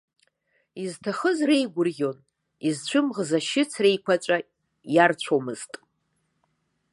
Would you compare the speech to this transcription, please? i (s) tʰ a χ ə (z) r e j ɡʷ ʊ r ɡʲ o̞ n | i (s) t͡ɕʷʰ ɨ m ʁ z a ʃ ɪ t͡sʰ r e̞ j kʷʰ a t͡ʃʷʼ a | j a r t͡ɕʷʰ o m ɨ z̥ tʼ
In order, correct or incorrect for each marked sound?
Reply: incorrect, correct, incorrect

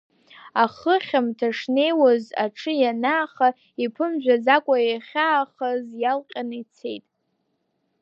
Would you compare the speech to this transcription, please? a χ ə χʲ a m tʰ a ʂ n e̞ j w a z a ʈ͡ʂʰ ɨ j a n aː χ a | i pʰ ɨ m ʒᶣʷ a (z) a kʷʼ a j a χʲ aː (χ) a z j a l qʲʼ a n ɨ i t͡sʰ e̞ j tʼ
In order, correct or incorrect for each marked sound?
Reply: correct, correct

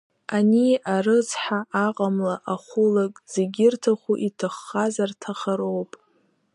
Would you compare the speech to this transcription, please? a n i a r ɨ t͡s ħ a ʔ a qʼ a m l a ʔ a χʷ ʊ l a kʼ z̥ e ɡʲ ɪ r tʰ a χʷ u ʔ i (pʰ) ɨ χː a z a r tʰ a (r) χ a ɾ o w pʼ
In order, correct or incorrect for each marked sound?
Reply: incorrect, incorrect

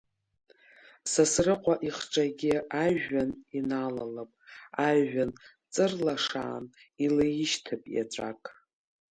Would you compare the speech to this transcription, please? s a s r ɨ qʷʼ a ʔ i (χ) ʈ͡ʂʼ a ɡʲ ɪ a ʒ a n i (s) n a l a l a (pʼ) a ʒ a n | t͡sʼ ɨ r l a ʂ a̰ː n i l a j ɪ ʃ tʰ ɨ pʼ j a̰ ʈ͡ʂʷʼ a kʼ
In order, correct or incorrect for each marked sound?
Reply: correct, incorrect, correct

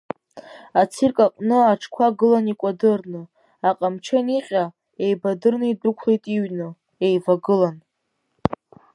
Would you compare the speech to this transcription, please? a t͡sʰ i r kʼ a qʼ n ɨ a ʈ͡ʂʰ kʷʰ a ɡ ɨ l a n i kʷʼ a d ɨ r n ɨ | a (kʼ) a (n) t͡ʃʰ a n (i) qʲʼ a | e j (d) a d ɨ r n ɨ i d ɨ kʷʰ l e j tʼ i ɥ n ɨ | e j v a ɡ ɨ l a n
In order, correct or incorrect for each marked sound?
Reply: incorrect, incorrect, correct, incorrect

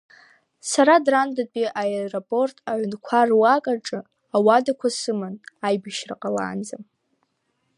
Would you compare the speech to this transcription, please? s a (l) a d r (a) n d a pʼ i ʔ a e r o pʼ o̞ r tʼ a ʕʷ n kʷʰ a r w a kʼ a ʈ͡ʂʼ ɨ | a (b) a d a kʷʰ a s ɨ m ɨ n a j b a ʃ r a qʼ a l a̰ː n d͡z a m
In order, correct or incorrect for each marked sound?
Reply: incorrect, correct, incorrect

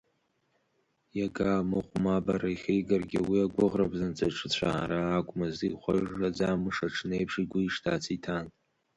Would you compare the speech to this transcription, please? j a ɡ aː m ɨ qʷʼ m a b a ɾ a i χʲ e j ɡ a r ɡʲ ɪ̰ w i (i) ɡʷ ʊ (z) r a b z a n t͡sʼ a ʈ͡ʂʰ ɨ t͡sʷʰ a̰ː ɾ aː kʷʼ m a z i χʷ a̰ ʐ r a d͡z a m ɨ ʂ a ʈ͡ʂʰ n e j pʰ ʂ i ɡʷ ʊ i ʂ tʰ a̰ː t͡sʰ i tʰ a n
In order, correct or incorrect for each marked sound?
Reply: incorrect, incorrect

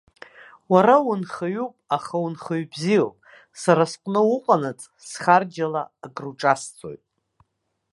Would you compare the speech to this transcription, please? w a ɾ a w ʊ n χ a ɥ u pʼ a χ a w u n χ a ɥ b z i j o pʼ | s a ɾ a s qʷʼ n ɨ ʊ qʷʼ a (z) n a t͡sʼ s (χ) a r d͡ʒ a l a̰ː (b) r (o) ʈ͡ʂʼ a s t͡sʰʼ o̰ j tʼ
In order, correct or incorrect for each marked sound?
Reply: incorrect, correct, incorrect, incorrect

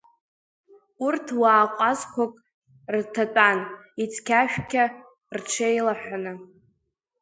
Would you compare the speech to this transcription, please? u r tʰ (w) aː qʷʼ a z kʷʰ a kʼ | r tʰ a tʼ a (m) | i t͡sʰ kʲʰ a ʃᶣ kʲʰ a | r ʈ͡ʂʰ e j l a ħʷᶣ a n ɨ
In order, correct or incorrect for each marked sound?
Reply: correct, incorrect

